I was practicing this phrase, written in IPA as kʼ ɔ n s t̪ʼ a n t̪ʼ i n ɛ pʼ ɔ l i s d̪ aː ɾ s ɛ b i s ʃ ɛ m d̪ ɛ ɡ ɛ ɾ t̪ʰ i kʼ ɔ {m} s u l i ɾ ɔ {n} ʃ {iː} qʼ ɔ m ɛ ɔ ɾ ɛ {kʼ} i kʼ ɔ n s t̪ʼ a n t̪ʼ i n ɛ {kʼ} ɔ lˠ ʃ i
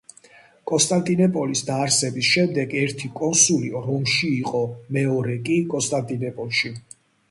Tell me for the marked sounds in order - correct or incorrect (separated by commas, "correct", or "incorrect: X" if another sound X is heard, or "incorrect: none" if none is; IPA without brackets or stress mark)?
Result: incorrect: n, incorrect: m, correct, correct, incorrect: pʼ